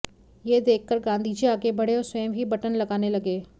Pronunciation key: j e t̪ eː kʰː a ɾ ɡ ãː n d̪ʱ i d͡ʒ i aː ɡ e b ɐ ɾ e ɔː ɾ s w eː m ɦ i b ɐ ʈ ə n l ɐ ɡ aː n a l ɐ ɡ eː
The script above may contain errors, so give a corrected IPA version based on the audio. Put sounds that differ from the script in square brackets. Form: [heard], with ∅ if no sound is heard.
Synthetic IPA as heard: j e [d̪] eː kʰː [ə] ɾ ɡ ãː n d̪ʱ i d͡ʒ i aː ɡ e b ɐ [ɽ] e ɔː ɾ s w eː m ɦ i b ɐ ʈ ə n l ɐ ɡ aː n [e] l ɐ ɡ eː